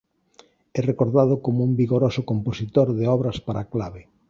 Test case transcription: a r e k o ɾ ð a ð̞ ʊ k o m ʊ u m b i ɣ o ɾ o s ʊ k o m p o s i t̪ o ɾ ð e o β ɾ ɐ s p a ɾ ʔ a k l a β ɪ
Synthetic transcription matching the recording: ɛ r e k o ɾ ð a ð̞ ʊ k o m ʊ u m b i ɣ o ɾ o s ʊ k o m p o s i t̪ o ɾ ð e ɔ β ɾ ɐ s p a ɾ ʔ a k l a β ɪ